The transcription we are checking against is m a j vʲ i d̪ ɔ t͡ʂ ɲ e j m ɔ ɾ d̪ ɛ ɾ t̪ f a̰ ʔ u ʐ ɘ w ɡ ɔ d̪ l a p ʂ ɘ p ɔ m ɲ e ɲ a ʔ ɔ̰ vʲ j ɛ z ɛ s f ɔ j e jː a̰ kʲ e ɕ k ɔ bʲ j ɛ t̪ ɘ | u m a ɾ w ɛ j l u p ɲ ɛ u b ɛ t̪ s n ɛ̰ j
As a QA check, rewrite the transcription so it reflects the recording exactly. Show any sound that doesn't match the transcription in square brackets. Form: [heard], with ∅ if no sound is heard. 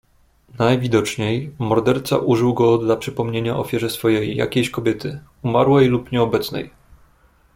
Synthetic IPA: [n] a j vʲ i d̪ ɔ t͡ʂ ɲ e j m ɔ ɾ d̪ ɛ ɾ t̪ [s] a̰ ʔ u ʐ ɘ w ɡ ɔ d̪ l a p ʂ ɘ p ɔ m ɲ e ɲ a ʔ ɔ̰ [fʲ] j ɛ [ʐ] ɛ s f ɔ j e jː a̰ kʲ e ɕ k ɔ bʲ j ɛ t̪ ɘ | u m a ɾ w ɛ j l u p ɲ ɛ [ɔ] b ɛ t̪ s n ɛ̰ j